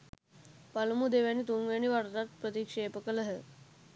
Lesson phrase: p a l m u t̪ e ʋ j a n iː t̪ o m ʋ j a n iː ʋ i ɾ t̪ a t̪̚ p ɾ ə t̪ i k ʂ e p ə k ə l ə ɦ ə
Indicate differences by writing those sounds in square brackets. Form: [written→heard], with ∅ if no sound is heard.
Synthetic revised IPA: p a l m u [t̪→d̪] e ʋ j a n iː t̪ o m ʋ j a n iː ʋ [i→a] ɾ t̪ a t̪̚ p ɾ ə t̪ i k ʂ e p ə k ə l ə ɦ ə